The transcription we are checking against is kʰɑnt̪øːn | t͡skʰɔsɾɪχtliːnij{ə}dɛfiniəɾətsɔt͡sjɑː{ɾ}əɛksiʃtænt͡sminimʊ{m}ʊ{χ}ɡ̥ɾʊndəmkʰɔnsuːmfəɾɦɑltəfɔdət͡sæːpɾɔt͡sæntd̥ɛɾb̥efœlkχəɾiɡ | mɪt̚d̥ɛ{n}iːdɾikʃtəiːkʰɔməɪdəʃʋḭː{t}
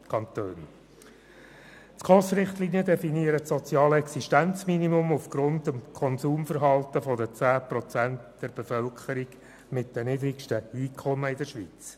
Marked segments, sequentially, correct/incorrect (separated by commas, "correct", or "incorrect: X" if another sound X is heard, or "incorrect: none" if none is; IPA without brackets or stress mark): correct, incorrect: l, correct, incorrect: f, correct, incorrect: t͡s